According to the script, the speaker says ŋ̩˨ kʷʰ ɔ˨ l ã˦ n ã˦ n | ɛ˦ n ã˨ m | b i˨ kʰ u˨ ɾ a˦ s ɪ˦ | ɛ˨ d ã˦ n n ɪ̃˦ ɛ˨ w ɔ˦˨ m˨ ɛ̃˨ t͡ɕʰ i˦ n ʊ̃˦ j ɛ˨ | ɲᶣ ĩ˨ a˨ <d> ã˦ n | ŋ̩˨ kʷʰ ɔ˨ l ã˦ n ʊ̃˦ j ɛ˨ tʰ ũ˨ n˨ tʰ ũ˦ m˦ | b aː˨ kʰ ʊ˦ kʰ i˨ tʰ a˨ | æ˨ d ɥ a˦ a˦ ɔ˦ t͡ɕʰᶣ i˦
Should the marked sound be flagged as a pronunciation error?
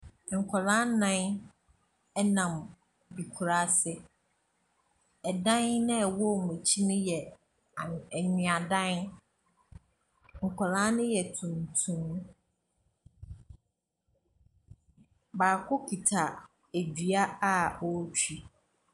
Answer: no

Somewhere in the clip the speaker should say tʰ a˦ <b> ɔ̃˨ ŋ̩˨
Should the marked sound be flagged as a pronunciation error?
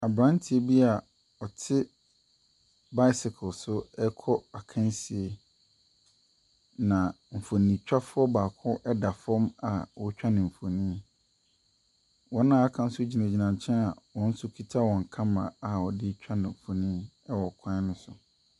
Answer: yes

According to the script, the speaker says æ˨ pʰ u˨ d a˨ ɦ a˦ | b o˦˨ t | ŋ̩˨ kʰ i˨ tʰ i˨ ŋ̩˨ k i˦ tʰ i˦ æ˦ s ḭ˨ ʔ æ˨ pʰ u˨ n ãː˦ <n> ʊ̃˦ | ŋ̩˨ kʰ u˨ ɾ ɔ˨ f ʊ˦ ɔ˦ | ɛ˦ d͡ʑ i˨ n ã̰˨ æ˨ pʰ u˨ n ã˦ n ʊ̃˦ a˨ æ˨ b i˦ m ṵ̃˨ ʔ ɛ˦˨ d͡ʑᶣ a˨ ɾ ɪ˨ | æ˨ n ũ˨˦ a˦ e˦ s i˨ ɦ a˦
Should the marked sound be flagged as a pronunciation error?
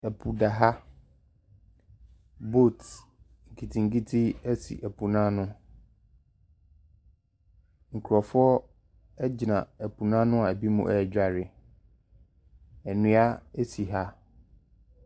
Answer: no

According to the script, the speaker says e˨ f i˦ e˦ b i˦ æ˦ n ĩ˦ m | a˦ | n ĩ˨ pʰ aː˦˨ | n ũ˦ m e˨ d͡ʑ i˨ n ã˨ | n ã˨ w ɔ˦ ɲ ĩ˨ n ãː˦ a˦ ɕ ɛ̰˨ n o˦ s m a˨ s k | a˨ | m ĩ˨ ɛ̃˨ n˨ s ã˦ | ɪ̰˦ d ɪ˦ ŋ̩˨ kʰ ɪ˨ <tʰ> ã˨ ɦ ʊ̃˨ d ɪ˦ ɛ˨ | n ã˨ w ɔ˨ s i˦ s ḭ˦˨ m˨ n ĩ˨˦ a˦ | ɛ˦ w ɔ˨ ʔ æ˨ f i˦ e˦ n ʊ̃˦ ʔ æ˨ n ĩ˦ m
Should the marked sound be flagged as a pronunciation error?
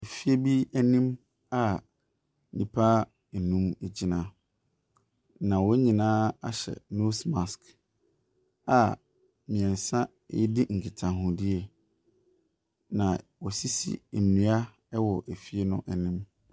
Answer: no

